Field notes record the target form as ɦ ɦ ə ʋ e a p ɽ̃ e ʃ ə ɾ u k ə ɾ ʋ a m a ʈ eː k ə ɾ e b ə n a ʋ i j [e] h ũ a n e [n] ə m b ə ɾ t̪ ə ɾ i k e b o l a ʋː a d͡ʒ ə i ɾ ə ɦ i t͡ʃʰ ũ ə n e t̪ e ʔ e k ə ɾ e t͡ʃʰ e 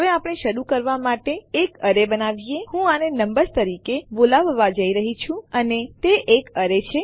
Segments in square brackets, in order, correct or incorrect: correct, correct

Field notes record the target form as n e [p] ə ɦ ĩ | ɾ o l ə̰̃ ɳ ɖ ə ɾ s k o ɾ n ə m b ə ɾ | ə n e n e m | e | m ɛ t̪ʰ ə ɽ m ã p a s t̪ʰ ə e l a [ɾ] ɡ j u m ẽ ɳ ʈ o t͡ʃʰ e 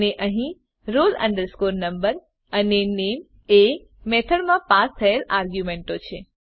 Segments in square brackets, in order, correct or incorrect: incorrect, correct

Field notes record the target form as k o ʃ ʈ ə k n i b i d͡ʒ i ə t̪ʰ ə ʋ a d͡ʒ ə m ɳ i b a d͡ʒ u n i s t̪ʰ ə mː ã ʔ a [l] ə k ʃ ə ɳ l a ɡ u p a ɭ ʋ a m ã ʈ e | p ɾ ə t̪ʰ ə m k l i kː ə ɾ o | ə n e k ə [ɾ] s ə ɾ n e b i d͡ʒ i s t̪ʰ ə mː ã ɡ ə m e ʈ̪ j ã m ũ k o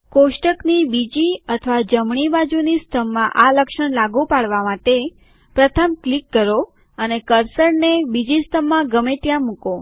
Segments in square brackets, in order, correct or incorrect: correct, correct

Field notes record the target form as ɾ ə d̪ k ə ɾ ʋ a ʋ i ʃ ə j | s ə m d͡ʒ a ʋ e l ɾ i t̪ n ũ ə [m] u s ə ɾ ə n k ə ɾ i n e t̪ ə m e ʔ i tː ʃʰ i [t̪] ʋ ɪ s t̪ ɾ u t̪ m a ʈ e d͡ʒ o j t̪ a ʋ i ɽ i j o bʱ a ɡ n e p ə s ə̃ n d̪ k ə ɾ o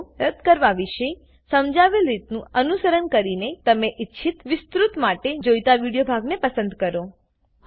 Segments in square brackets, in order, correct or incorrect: incorrect, correct

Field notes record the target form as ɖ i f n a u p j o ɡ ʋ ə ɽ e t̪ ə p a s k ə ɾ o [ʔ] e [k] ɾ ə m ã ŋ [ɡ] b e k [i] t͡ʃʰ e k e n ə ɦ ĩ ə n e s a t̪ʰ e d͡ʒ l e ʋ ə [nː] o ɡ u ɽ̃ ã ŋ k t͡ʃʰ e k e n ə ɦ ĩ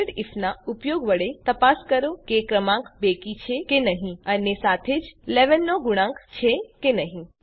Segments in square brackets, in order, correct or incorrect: incorrect, correct, incorrect, correct, correct

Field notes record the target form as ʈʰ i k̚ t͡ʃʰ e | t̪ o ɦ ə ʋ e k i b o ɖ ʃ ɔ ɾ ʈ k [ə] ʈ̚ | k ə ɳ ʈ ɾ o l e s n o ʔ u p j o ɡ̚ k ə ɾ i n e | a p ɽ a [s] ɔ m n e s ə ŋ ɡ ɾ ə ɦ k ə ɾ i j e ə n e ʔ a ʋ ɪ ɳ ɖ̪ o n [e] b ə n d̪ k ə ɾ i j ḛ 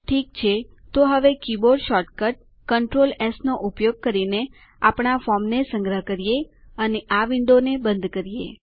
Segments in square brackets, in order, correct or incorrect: correct, incorrect, correct

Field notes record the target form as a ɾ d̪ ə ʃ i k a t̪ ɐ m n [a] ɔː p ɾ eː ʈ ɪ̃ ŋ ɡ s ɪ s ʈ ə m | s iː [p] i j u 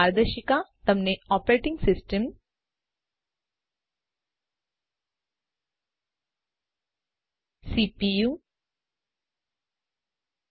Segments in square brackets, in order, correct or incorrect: incorrect, correct

